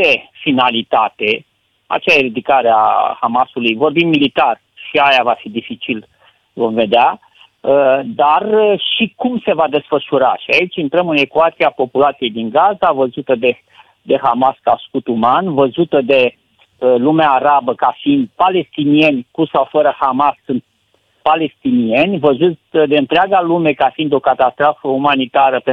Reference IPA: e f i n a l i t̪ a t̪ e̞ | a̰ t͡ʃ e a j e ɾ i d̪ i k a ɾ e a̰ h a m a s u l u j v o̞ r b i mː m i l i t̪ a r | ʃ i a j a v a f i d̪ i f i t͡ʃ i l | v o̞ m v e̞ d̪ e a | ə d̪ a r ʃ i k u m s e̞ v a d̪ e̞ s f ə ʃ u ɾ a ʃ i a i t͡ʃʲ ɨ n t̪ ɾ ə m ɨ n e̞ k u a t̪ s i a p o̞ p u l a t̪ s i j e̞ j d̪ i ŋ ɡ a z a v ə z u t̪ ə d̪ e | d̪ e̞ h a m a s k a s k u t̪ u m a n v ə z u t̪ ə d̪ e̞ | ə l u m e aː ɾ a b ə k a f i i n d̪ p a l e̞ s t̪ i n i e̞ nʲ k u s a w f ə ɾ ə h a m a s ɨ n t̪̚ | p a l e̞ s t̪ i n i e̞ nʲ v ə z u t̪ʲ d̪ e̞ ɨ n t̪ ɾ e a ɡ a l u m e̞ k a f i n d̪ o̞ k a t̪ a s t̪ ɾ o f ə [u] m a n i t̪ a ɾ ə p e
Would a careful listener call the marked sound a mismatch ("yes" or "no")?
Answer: no